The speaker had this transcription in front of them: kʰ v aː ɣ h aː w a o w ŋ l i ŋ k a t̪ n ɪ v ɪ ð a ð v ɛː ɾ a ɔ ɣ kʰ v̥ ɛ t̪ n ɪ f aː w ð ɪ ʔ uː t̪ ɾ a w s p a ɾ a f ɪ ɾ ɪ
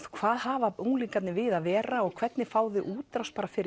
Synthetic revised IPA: kʰ v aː ð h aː v a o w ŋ l i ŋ k a t̪ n ɪ v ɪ ð a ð v ɛː ɾ a ɔ ɣ kʰ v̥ ɛ t̪ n ɪ f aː w ð ɪ ʔ uː t̪ ɾ a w s p a ɾ a f ɪ ɾ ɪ